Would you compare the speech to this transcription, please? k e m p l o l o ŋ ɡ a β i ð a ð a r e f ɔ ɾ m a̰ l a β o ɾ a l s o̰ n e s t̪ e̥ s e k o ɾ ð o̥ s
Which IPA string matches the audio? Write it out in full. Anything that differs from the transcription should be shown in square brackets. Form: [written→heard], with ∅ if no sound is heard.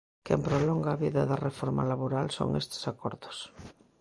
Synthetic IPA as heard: k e m p [l→ɾ] o l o ŋ ɡ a β i ð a ð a r e f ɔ ɾ m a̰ l a β o ɾ a l s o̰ [n→ŋ] e s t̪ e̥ s [e→a] k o ɾ ð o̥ s